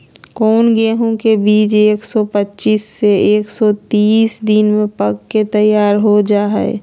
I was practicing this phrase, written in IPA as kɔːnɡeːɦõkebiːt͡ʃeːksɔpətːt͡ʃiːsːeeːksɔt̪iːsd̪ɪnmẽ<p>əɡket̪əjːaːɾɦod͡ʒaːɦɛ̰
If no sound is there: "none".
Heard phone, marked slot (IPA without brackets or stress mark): p